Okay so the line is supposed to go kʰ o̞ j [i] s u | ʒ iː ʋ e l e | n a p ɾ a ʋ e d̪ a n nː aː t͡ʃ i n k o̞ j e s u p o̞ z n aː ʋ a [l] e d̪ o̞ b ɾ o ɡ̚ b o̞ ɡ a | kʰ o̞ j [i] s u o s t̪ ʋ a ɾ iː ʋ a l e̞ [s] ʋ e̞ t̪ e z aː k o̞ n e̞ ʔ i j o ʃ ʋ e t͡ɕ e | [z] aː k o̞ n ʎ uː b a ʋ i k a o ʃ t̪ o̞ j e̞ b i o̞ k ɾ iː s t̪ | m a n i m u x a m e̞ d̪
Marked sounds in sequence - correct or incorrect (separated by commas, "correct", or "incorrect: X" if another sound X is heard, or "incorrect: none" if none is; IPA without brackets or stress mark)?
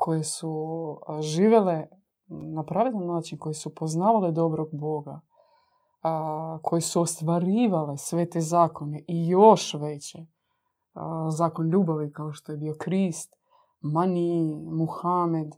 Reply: incorrect: e, correct, incorrect: e, correct, correct